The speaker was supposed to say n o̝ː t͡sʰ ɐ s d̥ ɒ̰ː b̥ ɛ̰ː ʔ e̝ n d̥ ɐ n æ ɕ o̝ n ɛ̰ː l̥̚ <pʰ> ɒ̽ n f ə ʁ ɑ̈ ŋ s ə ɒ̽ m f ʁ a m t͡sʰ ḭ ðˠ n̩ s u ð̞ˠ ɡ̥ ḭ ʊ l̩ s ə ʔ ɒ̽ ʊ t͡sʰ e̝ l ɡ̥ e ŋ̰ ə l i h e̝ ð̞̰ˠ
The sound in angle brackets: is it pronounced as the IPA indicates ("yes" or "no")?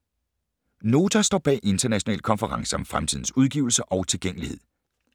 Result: no